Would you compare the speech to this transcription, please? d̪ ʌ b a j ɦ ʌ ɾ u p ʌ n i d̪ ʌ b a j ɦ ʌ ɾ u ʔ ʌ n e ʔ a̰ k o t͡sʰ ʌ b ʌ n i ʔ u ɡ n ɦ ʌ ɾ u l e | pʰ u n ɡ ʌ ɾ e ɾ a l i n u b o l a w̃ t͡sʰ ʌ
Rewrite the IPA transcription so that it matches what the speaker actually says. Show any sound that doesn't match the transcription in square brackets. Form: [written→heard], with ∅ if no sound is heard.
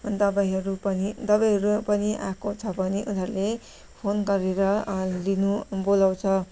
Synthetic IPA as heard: d̪ ʌ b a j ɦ ʌ ɾ u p ʌ n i d̪ ʌ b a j ɦ ʌ ɾ u [ʔ→p] ʌ n [e→i] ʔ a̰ k o t͡sʰ ʌ b ʌ n i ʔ u [ɡ→∅] n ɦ ʌ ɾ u l e | pʰ [u→o] n ɡ ʌ ɾ e ɾ [a→ʌ] l i n u b o l a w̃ t͡sʰ ʌ